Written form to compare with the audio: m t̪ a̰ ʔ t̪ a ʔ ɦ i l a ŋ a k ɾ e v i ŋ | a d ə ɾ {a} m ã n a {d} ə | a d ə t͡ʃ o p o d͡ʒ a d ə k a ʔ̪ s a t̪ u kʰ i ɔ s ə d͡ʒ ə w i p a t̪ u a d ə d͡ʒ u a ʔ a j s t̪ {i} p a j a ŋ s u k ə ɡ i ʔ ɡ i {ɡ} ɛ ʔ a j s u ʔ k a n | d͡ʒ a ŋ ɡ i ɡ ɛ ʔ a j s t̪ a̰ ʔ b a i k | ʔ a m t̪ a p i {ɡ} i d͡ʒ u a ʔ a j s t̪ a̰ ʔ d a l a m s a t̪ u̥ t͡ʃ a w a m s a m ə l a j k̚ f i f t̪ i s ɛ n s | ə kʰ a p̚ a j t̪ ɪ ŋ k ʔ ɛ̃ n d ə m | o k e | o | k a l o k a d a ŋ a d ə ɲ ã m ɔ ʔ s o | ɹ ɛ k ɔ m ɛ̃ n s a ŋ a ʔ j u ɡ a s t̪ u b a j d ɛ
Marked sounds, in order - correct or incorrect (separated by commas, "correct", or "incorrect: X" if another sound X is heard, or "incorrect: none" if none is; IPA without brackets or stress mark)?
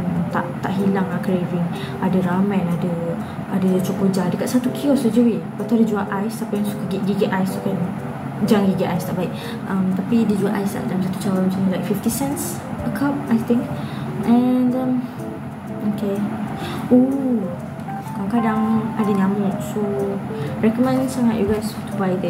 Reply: correct, correct, incorrect: a, correct, incorrect: d